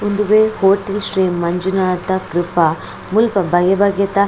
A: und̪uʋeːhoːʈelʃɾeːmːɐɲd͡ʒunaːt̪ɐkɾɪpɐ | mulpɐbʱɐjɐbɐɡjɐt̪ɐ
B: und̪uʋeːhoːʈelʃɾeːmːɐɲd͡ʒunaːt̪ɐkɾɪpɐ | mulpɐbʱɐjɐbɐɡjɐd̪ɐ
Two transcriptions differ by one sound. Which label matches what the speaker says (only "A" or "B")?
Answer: A